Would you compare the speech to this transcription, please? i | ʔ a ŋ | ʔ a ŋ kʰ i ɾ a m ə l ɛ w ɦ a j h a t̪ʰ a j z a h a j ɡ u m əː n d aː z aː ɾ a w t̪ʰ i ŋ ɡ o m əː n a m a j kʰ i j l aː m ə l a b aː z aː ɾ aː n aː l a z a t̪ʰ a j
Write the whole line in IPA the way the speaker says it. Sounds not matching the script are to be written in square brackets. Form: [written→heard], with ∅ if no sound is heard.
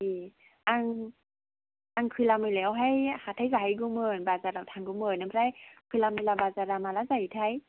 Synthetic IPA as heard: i | ʔ a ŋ | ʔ a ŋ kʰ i [ɾ→l] a m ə l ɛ w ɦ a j h a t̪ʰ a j z a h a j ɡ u m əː n [d→b] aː z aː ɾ a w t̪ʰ [i→a] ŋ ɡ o m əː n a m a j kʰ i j l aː m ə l a b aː z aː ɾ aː [n→m] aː l a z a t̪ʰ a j